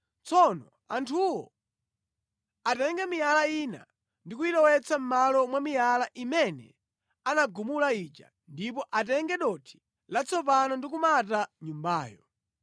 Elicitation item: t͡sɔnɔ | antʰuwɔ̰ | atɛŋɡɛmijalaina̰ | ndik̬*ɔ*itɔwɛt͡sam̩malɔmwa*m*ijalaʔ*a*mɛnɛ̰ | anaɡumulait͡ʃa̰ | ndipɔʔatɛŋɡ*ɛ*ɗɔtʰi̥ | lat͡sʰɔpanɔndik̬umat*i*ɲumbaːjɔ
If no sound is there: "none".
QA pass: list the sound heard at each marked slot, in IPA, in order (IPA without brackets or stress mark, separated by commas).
u, m, i, ɛ, a